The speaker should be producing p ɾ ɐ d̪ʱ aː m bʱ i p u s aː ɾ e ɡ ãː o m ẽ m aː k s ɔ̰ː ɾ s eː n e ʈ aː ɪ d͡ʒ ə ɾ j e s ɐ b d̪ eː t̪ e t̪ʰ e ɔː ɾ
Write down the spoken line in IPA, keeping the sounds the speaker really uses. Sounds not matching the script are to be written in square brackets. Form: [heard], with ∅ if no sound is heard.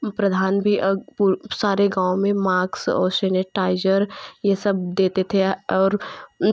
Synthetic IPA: p ɾ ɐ d̪ʱ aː [n] bʱ i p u s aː ɾ e ɡ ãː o m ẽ m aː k s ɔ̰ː ɾ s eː n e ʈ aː ɪ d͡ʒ ə ɾ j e s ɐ b d̪ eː t̪ e t̪ʰ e ɔː ɾ